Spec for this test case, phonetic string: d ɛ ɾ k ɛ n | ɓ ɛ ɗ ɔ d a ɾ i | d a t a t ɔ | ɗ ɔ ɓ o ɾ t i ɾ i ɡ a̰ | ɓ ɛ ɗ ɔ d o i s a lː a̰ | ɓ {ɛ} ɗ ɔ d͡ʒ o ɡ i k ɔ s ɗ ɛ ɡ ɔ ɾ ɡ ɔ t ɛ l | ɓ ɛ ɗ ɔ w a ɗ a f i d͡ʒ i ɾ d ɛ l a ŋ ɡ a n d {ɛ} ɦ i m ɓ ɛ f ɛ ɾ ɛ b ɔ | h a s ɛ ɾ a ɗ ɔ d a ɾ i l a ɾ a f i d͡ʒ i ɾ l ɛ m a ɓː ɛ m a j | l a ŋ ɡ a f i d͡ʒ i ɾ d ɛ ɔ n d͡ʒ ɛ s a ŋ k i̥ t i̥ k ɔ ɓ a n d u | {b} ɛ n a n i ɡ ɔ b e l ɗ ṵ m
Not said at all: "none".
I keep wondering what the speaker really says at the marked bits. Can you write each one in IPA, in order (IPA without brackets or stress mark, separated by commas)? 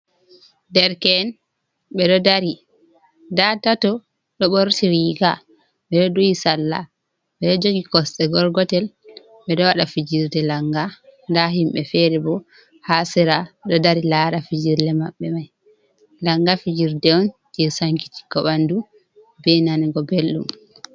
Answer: ɛ, a, b